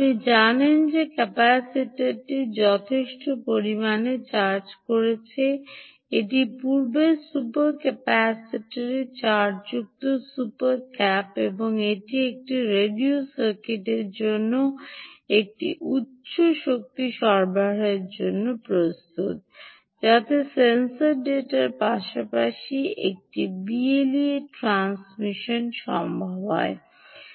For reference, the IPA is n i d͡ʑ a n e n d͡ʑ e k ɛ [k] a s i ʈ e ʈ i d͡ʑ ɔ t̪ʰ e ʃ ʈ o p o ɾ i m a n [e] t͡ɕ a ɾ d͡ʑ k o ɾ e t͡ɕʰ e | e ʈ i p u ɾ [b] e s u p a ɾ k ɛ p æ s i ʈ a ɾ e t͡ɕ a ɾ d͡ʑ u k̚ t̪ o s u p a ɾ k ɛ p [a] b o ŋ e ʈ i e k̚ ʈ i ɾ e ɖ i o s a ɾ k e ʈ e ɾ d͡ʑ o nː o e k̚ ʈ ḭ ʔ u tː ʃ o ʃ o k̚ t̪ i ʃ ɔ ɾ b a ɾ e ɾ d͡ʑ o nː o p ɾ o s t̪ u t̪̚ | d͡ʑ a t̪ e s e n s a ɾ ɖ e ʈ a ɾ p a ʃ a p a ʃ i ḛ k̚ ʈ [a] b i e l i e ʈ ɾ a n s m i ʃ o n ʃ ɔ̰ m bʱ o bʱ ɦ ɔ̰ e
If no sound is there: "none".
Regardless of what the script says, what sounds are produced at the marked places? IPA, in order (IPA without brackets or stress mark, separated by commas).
p, e, b, e, i